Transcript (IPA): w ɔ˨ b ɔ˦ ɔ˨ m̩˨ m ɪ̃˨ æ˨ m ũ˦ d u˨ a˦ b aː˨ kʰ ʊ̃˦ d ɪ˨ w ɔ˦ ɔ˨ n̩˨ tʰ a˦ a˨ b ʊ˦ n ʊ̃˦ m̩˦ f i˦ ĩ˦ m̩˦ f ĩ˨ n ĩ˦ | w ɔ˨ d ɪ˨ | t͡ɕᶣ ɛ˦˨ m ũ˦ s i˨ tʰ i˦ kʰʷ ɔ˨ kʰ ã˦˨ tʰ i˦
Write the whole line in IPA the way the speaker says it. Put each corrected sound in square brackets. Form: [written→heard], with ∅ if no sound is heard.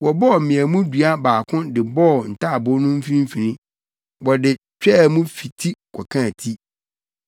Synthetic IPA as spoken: w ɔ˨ b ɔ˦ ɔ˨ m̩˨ m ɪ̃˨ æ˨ m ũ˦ d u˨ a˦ b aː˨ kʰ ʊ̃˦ d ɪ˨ [w→b] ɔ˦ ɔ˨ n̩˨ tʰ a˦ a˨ b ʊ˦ n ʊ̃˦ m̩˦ f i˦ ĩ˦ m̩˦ f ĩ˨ n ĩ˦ | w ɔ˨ d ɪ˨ | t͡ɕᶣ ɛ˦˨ m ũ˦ [s→f] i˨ tʰ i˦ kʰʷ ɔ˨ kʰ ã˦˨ tʰ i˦

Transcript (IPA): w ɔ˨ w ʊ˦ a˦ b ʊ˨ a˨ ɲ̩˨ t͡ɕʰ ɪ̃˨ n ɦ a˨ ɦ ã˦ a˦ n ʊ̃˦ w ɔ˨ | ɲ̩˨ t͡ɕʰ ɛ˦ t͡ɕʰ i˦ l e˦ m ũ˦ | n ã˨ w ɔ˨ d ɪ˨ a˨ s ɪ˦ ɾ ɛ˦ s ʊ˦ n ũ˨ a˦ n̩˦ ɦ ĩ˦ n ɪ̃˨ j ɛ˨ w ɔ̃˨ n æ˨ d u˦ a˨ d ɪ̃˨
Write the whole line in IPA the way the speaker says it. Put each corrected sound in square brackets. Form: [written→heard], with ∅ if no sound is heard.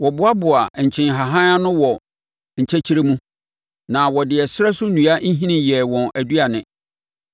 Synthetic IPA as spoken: w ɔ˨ [w→b] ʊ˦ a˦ b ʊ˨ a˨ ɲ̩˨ t͡ɕʰ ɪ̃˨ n ɦ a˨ ɦ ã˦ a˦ n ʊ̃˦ w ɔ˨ | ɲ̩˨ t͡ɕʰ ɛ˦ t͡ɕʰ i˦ [l→ɾ] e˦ m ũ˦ | n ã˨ w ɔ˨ d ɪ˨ [a˨→ɛ˨] s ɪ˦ ɾ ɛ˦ s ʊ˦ n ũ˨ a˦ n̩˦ ɦ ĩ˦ n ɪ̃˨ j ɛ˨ w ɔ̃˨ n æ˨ d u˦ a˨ [d→n] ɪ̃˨

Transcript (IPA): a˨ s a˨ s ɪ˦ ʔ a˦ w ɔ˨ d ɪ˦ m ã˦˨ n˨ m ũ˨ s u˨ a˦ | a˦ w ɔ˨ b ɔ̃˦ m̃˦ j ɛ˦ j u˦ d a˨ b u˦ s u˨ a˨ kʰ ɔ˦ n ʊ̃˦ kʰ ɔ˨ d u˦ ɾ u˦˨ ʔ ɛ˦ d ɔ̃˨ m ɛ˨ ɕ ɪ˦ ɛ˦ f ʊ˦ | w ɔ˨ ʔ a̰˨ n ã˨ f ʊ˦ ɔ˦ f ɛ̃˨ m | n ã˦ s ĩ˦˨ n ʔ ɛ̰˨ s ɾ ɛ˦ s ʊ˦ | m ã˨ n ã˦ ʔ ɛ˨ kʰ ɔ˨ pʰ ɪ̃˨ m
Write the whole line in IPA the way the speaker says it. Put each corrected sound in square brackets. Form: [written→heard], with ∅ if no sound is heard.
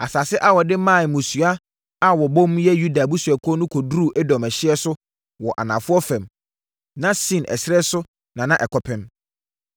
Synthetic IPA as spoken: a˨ s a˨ s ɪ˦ ʔ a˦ w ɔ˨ d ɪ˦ m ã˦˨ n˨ m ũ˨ s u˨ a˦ | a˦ w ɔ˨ b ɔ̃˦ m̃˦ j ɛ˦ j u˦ d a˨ b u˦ s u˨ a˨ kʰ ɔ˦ n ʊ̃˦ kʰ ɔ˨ d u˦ ɾ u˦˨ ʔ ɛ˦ d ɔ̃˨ m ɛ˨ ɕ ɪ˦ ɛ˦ [f→s] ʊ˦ | w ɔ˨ ʔ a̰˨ n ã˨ f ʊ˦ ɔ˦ f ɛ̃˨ m | n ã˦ s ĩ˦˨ n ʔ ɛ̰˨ s ɾ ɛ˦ s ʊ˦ | [m→n] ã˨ n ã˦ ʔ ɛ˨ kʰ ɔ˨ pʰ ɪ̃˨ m

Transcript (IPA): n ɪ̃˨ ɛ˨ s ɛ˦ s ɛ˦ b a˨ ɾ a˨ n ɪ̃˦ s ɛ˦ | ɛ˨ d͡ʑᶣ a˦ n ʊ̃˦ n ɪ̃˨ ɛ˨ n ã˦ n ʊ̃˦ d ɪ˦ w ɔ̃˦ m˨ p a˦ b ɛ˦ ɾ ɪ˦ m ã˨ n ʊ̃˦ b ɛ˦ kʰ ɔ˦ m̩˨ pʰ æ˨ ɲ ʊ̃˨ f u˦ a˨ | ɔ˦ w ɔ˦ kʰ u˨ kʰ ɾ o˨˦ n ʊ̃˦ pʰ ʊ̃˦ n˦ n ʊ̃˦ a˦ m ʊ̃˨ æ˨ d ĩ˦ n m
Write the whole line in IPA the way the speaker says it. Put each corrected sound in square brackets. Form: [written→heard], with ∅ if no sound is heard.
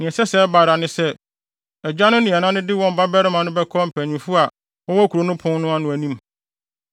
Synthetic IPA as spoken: n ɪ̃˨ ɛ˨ s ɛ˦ s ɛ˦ b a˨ ɾ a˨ n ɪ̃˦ s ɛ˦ | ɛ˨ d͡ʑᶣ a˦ n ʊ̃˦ n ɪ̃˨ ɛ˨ n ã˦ n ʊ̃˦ d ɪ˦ w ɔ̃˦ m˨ [p→b] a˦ b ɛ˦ ɾ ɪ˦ m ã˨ n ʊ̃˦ b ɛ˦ kʰ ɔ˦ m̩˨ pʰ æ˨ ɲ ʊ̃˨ f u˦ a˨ | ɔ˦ w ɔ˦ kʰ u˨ [kʰ→∅] ɾ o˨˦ n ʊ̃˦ pʰ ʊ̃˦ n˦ n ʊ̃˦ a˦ [m→n] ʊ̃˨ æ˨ [d→n] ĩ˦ [n→∅] m

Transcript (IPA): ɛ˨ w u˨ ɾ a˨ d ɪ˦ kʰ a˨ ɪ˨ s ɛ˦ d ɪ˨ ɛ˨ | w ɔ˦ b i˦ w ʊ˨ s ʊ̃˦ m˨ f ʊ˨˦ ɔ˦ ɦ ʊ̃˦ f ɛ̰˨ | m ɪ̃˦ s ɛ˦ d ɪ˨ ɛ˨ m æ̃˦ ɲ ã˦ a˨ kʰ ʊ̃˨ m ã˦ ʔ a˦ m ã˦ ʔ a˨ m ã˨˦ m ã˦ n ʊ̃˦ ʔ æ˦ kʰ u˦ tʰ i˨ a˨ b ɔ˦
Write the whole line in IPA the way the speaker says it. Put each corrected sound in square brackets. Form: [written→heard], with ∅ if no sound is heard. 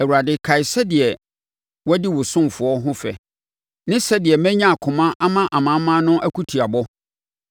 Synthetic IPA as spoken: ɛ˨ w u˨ ɾ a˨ d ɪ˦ kʰ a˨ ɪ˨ s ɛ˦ d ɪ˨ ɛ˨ | w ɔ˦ [b→d] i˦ w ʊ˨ s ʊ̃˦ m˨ f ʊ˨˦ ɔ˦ ɦ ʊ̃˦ f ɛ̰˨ | [m→n] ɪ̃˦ s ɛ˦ d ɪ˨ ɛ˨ m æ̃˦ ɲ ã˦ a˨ kʰ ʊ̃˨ m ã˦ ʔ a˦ m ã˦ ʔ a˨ m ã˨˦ m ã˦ n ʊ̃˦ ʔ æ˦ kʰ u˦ tʰ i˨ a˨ b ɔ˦

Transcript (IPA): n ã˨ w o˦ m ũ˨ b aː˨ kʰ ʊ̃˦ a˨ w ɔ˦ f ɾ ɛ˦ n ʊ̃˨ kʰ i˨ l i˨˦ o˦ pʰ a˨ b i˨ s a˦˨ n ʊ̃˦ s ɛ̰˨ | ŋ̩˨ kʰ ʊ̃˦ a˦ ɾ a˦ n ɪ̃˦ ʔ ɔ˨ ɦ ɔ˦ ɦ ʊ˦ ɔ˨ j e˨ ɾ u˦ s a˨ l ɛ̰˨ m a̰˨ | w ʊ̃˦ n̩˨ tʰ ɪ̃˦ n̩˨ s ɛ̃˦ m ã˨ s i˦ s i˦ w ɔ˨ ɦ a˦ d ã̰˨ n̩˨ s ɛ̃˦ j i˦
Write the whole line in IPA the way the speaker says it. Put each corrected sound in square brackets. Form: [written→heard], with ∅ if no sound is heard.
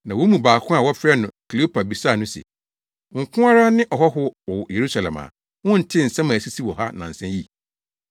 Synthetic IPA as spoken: n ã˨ w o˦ m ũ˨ b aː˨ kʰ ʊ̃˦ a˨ w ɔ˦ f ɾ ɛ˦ n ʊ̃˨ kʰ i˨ l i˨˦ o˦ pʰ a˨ b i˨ s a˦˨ n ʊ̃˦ s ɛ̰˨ | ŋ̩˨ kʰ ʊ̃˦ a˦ ɾ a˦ n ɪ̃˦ ʔ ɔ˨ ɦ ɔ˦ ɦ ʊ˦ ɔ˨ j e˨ ɾ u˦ s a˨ l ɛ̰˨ m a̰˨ | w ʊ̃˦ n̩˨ tʰ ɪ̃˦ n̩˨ s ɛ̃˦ m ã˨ s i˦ s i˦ w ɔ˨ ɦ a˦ [d→n] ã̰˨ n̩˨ s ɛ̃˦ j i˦

